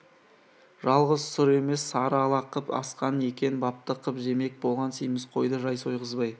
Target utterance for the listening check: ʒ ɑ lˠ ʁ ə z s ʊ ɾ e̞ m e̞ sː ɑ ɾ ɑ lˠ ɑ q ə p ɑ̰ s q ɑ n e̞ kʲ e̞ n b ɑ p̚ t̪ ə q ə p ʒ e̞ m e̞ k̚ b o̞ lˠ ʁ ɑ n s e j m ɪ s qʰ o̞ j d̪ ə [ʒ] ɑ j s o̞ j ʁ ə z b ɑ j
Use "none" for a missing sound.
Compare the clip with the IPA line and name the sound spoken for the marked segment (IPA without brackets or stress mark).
ʒ